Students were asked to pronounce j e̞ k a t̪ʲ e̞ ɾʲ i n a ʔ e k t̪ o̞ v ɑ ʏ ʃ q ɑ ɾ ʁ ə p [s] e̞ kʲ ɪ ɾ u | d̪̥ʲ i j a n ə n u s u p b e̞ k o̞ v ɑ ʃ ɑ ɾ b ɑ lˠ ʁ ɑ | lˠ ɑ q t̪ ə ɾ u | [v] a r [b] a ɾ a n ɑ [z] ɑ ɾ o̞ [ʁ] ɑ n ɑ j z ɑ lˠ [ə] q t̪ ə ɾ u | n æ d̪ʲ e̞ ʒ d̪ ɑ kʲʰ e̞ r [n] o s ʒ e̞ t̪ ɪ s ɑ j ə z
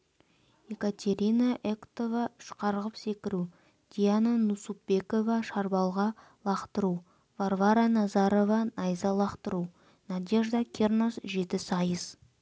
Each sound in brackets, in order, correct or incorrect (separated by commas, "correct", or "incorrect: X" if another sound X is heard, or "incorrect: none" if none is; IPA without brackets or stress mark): correct, correct, incorrect: v, correct, incorrect: v, incorrect: ɑ, correct